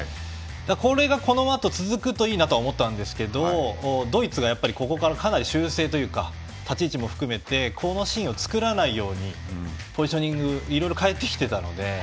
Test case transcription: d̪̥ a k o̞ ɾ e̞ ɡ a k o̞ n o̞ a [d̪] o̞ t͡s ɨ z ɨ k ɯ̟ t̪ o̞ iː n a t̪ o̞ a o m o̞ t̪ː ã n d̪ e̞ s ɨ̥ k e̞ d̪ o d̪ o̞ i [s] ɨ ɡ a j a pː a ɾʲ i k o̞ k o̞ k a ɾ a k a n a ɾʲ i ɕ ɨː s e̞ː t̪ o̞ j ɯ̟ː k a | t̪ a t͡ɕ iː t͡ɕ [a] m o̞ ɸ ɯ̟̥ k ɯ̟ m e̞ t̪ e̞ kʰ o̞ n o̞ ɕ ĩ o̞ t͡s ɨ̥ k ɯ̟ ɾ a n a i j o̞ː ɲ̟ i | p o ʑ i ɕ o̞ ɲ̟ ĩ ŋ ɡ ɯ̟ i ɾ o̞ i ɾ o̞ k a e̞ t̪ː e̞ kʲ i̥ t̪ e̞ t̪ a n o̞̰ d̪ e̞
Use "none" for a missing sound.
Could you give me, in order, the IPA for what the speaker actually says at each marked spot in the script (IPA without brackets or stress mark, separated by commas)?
t̪, t͡s, i